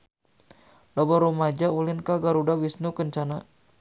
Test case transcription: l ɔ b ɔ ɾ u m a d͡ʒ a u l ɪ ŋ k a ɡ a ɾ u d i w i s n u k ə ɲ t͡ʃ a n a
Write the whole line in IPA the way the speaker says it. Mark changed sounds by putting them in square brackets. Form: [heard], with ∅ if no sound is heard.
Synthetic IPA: l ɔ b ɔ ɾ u m a d͡ʒ a u l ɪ [n] k a ɡ a ɾ u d [a] w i s n u k ə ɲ t͡ʃ a n a